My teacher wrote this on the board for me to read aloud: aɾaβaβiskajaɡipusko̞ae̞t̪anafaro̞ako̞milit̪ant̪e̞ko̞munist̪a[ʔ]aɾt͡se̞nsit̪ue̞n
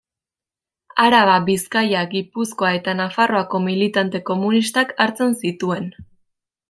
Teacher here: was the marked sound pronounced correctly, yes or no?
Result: no